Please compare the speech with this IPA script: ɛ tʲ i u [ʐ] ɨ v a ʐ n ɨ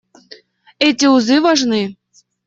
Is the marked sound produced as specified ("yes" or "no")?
no